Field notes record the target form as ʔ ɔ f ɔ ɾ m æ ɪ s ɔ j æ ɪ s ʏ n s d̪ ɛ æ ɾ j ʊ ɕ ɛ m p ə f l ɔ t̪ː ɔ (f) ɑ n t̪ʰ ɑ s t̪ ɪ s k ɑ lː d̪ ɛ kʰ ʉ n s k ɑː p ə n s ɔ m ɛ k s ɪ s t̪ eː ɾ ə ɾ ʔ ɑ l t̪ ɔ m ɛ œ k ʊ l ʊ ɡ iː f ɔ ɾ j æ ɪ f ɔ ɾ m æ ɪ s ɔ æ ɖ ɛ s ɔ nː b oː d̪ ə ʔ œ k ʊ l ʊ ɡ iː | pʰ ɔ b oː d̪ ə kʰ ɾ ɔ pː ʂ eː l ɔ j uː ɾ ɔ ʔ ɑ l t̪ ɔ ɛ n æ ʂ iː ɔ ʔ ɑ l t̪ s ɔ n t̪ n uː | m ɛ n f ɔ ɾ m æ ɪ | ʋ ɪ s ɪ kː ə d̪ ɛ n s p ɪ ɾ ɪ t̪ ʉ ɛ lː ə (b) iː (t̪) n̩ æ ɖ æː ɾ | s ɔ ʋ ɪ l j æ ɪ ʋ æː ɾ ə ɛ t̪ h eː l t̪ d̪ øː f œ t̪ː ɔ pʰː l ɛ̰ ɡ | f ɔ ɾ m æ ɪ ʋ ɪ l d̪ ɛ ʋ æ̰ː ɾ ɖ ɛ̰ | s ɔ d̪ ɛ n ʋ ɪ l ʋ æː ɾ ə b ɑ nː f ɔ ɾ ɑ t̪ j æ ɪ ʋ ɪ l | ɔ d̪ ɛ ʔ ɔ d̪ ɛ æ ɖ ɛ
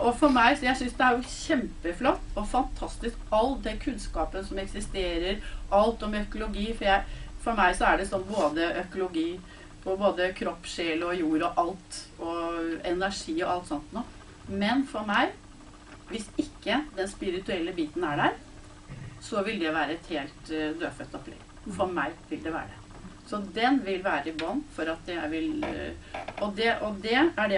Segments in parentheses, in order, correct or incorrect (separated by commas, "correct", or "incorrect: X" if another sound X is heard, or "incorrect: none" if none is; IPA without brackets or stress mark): correct, correct, correct